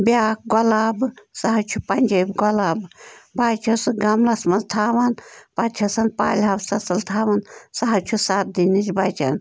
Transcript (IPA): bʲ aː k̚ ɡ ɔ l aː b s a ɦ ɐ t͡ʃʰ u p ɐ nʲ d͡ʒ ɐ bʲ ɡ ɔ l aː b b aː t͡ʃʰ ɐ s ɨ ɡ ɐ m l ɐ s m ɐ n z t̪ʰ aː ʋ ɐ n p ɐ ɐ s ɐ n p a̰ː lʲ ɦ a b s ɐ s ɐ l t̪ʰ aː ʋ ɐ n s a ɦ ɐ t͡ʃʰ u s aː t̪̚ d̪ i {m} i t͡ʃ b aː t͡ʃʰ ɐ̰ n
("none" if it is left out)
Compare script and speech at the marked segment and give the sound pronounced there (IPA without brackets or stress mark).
n